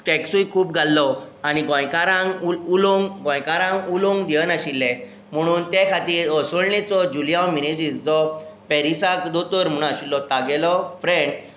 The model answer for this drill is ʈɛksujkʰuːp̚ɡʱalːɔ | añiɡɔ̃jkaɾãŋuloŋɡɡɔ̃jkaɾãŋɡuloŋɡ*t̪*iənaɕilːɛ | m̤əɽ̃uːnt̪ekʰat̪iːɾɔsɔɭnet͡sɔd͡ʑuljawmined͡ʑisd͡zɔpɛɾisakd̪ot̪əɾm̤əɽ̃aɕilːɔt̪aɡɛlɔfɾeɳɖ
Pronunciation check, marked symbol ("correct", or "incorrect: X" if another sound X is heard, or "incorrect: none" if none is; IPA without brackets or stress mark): incorrect: d̪